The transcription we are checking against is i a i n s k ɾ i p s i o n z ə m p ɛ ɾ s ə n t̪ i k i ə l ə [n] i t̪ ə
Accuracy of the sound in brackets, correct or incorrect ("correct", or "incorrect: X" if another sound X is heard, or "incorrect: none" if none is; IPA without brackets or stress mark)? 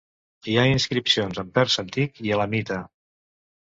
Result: incorrect: m